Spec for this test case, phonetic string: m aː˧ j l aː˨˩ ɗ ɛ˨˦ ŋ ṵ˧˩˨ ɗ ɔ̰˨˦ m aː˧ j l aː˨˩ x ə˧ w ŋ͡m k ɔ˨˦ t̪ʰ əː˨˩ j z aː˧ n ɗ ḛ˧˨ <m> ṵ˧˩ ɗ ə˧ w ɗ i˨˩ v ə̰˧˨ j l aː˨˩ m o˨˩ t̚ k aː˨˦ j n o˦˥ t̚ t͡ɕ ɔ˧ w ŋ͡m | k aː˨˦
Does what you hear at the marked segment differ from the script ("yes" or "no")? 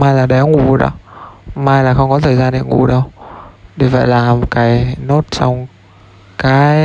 yes